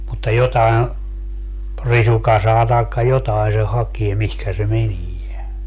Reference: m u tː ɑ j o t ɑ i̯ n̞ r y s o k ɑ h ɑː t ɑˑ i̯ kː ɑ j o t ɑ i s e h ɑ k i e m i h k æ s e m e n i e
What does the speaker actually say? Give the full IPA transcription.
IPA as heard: m u tː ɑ j o t ɑ i̯ n̞ r i s u k ɑ s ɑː t ɑˑ i̯ kː ɑ j o t ɑ i s e h ɑ k i e m i h k æ s e m e n i e